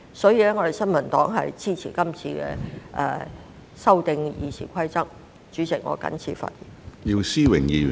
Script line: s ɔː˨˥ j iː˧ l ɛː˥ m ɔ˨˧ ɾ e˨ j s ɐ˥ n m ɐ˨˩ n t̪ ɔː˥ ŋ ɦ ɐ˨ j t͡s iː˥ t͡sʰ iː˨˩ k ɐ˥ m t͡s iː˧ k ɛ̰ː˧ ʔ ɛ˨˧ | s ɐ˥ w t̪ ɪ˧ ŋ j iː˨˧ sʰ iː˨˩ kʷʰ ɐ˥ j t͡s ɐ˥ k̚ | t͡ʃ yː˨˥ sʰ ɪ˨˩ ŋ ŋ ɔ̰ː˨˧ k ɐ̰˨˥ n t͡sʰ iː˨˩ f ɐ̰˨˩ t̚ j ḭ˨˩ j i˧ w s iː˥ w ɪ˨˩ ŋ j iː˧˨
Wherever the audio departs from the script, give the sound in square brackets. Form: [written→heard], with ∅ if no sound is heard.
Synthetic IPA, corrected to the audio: s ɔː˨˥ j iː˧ l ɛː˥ [m→ŋ] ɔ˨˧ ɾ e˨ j s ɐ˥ n m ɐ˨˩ n t̪ [ɔː˥→ɔː˨˥] ŋ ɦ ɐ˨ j t͡s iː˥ t͡sʰ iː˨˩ k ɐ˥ m [t͡s→t͡sʰ] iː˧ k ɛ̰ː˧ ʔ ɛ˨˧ | s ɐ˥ w t̪ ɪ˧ ŋ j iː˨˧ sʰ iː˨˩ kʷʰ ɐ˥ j t͡s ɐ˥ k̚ | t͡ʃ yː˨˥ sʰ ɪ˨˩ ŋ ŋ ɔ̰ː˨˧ k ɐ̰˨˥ n t͡sʰ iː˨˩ f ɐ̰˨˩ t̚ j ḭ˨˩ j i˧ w s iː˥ w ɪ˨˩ ŋ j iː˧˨